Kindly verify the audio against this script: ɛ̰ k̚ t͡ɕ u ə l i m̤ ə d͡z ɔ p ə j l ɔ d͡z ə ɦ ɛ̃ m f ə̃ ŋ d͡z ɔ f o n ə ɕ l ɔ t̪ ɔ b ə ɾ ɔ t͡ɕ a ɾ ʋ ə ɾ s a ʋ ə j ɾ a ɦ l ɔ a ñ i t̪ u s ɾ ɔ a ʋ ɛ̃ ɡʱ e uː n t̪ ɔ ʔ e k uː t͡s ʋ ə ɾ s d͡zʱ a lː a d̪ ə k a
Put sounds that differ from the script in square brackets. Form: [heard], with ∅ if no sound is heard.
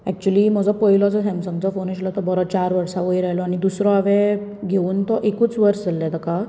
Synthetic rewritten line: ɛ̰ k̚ t͡ɕ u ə l i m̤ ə d͡z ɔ p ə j l ɔ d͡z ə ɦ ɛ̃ m [s] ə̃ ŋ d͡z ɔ f o n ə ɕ l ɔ t̪ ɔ b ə ɾ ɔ t͡ɕ a ɾ ʋ ə ɾ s a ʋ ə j ɾ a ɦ l ɔ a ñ i [d̪] u s ɾ ɔ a ʋ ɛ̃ ɡʱ e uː n t̪ ɔ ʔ e k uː t͡s ʋ ə ɾ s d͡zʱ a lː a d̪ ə k a

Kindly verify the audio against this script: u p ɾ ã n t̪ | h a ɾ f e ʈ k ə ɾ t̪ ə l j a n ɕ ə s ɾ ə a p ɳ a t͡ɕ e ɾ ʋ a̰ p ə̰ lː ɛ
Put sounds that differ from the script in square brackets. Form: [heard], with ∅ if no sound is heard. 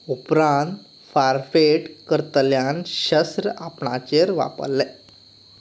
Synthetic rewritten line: u p ɾ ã n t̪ | [f] a ɾ f e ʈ k ə ɾ t̪ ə l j a n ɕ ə s ɾ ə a p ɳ a t͡ɕ e ɾ ʋ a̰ p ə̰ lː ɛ

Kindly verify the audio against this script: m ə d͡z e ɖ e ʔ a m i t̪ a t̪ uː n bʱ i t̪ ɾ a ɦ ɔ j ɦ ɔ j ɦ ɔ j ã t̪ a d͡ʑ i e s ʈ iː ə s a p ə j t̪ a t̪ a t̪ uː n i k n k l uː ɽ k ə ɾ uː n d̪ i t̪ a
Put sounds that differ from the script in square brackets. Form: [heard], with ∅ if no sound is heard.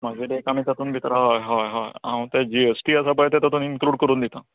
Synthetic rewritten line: m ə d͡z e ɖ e [k] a m i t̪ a t̪ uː n bʱ i t̪ ɾ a ɦ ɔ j ɦ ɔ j ɦ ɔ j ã t̪ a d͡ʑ i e s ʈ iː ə s a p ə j t̪ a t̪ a t̪ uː n i [∅] n k l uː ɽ k ə ɾ uː n d̪ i t̪ a

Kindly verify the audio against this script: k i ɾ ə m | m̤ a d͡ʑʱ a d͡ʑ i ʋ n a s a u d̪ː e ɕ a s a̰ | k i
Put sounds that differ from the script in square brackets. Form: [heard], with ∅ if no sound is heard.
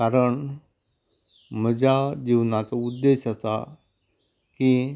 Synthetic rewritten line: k [a] ɾ ə [ɳ] | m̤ [ə] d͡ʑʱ a d͡ʑ i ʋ n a [t͡s] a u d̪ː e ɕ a s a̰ | k i

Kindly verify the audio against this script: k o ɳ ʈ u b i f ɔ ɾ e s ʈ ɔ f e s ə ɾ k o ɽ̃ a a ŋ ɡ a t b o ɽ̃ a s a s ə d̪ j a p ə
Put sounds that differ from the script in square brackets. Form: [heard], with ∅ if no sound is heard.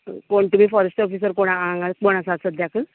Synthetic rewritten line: k o ɳ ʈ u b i f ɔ ɾ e s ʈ ɔ f [i] s ə ɾ k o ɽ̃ a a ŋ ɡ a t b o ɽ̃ a s a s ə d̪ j a [k] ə

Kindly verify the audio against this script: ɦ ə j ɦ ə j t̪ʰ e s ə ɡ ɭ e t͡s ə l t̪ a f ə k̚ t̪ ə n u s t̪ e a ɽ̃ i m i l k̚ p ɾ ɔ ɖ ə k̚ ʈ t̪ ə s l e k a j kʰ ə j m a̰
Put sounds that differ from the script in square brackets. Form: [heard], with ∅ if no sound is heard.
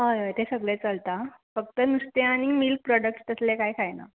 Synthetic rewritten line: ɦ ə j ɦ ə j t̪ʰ e s ə ɡ ɭ e t͡s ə l t̪ a f ə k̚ t̪ ə n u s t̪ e a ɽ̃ i m i l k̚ p ɾ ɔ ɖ ə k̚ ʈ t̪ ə s l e k a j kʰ [a] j [n] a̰

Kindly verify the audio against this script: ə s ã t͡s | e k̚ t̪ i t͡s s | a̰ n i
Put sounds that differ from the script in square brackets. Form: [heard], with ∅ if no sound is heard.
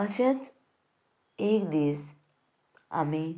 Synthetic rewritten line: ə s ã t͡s | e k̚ [d̪] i [∅] s | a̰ [m] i

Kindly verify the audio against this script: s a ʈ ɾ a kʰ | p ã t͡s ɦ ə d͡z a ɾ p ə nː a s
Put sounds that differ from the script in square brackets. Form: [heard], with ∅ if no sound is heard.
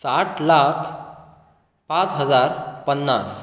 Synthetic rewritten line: s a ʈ [l] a kʰ | p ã t͡s ɦ ə d͡z a ɾ p ə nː a s

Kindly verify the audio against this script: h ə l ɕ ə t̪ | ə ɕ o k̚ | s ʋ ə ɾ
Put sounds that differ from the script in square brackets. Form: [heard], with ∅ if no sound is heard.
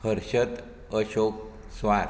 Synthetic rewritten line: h ə [ɾ] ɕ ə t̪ | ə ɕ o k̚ | s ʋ [a] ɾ

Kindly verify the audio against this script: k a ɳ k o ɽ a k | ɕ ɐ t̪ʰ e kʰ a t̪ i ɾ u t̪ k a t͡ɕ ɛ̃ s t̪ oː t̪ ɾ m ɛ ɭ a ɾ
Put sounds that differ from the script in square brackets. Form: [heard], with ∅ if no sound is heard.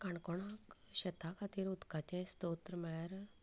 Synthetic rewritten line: k a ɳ k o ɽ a k | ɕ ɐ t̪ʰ [a] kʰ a t̪ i ɾ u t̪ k a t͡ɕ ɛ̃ s t̪ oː t̪ ɾ m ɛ ɭ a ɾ

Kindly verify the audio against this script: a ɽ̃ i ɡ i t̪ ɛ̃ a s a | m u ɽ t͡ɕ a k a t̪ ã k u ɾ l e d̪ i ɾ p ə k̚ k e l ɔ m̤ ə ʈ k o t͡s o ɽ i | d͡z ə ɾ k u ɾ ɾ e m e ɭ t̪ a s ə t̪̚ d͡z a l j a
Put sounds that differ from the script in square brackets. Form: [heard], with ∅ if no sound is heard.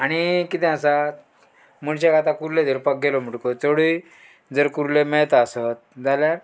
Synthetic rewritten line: a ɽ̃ i [k] i t̪ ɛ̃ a s a | m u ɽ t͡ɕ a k a t̪ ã k u ɾ l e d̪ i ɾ p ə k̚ [ɡ] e l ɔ m̤ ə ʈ k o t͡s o ɽ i | d͡z ə ɾ k u ɾ [l] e m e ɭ t̪ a s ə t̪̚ d͡z a l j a

